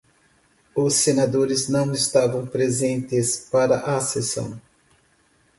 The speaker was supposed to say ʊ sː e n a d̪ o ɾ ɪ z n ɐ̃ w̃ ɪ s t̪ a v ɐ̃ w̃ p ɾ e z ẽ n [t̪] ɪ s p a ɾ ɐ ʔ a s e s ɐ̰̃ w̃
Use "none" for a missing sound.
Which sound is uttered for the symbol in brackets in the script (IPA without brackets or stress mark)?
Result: t̪